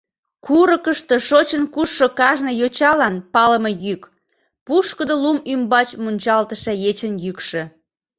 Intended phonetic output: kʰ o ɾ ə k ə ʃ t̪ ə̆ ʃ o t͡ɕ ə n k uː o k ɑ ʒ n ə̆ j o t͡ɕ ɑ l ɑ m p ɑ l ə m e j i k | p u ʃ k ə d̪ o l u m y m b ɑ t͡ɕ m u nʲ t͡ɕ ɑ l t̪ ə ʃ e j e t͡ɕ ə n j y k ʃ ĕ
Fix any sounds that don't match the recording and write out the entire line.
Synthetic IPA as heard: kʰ u ɾ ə k ə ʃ t̪ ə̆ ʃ o t͡ɕ ə n k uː o k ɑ ʒ n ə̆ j o t͡ɕ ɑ l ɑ n p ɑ l ə m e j y k | p u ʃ k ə d̪ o l u m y m b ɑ t͡ɕ m u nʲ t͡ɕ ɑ l t̪ ə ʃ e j e t͡ɕ ə n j y k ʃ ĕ